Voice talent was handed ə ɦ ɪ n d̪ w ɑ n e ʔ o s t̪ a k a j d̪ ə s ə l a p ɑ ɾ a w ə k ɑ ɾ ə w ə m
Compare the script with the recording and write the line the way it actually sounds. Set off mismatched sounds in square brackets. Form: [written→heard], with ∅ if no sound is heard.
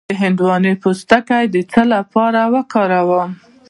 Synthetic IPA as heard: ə ɦ ɪ n d̪ w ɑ n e [ʔ→p] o s t̪ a k a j d̪ ə [s→t͡s] ə l a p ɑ ɾ a w ə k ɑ ɾ [ə→a] w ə m